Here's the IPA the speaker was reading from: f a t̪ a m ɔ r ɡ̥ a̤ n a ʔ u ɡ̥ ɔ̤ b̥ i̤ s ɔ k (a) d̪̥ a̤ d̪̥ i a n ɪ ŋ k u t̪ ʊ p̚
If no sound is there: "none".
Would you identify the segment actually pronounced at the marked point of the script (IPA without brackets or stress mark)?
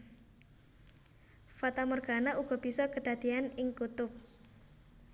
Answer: ə